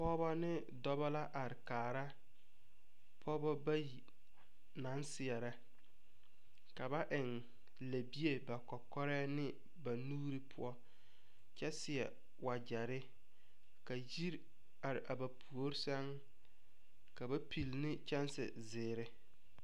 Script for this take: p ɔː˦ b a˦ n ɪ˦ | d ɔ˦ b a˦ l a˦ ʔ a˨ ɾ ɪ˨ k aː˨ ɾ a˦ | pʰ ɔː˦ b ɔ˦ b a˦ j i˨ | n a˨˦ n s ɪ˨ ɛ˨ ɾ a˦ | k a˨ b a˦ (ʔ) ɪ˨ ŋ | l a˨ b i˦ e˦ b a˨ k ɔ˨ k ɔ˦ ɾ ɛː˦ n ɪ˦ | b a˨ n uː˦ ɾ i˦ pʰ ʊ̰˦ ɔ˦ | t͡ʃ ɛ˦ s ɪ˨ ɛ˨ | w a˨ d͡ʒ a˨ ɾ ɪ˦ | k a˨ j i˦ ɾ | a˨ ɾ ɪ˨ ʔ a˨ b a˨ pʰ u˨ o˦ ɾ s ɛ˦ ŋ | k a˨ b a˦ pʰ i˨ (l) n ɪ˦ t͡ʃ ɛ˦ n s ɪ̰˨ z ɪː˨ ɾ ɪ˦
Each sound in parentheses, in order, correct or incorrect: correct, correct

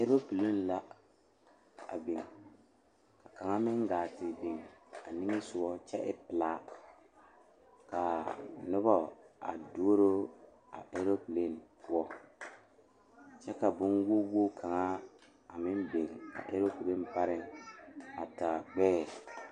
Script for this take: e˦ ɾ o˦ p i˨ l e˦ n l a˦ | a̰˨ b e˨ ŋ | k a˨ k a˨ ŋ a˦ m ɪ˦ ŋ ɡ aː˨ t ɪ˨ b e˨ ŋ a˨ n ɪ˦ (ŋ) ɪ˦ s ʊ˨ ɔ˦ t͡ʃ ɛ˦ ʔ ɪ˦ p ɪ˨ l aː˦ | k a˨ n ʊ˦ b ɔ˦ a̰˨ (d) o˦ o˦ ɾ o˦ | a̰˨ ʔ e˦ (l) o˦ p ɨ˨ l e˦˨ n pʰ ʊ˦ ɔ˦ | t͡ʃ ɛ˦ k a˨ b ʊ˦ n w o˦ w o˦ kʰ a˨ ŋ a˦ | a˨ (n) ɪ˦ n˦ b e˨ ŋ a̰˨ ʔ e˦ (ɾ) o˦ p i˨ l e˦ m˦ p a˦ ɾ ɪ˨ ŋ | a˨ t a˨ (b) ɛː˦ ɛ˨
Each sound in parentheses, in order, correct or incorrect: correct, correct, incorrect, incorrect, correct, incorrect

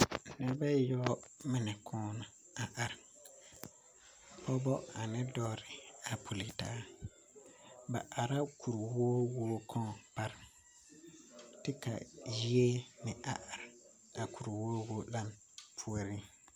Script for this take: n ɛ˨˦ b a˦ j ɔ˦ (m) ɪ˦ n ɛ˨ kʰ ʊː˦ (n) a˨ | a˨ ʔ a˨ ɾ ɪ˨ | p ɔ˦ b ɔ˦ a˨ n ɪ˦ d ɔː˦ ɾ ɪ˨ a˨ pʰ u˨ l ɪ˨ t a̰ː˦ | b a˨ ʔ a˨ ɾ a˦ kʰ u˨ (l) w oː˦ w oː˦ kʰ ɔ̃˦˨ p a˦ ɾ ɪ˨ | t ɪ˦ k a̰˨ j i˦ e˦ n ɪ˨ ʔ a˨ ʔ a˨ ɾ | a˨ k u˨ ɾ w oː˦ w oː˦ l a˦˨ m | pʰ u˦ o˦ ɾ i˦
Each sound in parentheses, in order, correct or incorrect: correct, correct, incorrect

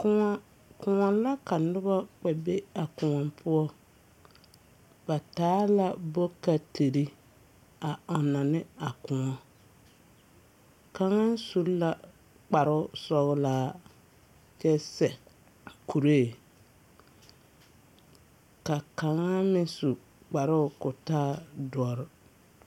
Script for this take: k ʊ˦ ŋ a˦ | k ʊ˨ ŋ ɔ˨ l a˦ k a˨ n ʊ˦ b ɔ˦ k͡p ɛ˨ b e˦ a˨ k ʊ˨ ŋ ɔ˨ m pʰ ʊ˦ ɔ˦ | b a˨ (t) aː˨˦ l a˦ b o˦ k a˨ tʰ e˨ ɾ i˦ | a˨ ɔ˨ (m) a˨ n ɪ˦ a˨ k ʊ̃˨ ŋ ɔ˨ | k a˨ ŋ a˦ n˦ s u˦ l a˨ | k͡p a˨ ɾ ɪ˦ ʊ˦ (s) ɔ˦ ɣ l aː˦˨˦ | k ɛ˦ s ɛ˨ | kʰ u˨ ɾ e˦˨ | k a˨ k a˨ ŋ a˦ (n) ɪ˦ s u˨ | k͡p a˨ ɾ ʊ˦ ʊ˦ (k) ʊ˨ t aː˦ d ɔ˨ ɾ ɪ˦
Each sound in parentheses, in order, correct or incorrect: correct, incorrect, correct, incorrect, correct

